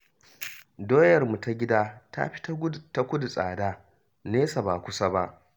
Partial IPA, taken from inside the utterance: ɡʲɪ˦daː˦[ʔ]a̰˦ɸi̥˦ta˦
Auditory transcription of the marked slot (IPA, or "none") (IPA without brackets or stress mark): t